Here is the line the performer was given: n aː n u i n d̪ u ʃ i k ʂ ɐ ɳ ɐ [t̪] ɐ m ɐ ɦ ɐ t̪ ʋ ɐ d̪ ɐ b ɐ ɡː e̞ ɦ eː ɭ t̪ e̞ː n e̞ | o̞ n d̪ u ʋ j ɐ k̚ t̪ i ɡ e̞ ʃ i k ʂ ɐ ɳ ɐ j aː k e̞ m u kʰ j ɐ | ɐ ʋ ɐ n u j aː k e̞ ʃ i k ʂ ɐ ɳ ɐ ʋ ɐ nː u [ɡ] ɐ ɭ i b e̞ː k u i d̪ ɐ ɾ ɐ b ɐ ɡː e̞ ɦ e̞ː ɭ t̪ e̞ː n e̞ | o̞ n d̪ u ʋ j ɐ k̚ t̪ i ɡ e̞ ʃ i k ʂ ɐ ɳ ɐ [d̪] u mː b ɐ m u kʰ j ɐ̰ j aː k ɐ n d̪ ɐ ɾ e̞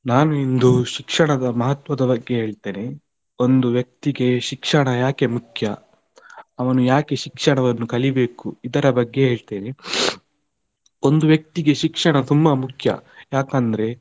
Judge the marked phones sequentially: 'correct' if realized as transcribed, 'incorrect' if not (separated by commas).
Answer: incorrect, incorrect, incorrect